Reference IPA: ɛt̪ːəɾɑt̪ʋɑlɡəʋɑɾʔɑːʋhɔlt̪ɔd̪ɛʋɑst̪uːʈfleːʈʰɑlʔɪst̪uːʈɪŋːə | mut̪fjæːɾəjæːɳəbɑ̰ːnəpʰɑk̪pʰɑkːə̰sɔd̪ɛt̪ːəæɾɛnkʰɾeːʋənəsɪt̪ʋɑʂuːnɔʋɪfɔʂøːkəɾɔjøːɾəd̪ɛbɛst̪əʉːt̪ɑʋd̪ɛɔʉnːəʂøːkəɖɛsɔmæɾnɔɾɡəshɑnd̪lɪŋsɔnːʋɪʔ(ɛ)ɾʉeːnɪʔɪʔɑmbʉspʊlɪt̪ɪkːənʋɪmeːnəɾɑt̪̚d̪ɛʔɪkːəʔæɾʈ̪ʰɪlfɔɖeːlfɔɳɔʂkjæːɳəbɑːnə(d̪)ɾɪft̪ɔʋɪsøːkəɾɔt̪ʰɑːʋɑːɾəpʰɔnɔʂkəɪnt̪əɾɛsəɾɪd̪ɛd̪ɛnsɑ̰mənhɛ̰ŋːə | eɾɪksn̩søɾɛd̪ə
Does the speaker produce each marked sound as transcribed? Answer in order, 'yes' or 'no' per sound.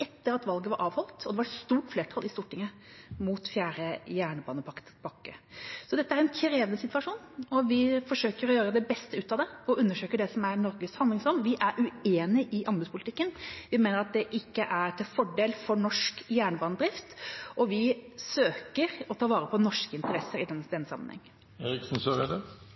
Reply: no, yes

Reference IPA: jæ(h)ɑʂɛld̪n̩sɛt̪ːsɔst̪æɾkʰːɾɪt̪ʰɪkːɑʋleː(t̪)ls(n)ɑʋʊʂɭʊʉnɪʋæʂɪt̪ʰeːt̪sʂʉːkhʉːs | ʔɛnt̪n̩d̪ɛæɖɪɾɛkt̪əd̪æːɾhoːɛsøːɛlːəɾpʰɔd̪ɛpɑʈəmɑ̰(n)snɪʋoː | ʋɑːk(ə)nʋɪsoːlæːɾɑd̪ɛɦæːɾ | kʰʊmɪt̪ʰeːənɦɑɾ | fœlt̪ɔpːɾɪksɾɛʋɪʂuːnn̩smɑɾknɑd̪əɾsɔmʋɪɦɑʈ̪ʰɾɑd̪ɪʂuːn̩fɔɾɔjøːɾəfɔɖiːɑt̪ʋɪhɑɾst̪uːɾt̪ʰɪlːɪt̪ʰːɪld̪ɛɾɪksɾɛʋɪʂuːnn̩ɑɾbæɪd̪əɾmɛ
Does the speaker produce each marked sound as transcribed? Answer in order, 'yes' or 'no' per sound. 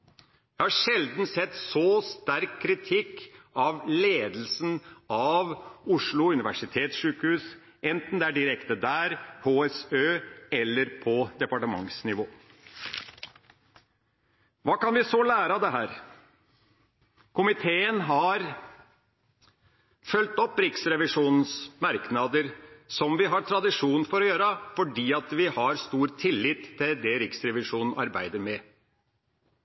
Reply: yes, no, yes, no, no

